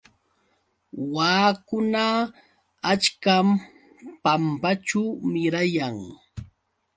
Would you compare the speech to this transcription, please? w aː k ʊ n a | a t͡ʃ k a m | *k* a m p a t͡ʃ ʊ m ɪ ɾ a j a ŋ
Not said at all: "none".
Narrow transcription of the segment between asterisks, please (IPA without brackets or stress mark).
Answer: p